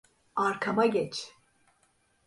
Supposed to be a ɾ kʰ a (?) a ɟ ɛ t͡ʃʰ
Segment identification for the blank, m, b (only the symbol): m